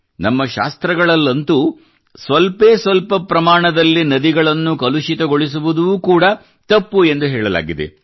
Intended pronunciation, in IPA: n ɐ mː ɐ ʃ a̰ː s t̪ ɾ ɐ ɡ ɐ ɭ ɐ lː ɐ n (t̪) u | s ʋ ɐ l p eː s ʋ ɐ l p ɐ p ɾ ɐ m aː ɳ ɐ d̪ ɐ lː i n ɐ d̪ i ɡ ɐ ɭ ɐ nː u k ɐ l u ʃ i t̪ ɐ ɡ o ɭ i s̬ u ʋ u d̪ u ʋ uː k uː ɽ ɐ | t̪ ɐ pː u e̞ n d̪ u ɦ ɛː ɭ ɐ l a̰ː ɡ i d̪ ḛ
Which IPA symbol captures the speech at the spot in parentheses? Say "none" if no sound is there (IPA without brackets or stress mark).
t̪